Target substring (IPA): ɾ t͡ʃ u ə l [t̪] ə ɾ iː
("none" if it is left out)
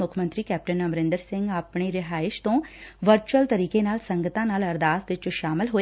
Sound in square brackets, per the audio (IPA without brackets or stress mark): t̪